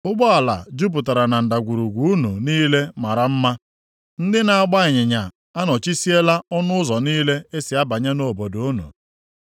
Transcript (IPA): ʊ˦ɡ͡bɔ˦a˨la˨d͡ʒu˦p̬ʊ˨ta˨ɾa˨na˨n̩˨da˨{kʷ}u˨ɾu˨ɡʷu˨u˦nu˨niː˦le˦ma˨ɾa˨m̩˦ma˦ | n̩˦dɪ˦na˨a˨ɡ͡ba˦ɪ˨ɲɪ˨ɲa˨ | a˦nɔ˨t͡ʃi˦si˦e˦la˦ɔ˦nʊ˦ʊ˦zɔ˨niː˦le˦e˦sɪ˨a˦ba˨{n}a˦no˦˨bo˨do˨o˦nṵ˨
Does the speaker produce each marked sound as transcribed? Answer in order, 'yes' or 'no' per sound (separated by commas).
no, no